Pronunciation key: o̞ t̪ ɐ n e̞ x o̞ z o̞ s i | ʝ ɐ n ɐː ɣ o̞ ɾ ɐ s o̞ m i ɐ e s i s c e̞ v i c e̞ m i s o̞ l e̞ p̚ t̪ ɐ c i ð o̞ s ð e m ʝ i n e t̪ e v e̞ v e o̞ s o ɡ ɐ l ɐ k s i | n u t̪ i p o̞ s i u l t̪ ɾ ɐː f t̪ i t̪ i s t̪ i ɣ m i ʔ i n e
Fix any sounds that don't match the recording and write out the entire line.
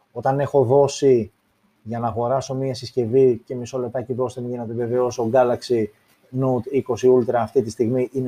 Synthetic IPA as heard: o̞ t̪ ɐ n e̞ x o̞ ð o̞ s i | ʝ ɐ n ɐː ɣ o̞ ɾ ɐ s o̞ m i ɐ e s i s c e̞ v i c e̞ m i s o̞ l e̞ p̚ t̪ ɐ c i ð o̞ s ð e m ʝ i n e t̪ e v e̞ v e o̞ s o ɡ ɐ l ɐ k s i | n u t̪ i k o̞ s i u l t̪ ɾ ɐː f t̪ i t̪ i s t̪ i ɣ m i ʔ i n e